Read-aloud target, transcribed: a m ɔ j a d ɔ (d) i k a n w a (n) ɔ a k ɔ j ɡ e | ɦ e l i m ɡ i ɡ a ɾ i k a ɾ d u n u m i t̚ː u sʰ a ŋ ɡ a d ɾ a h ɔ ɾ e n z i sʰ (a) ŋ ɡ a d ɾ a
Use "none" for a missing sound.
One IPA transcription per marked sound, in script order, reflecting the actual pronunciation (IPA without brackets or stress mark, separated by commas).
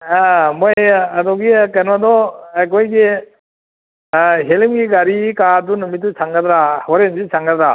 ɡ, d, a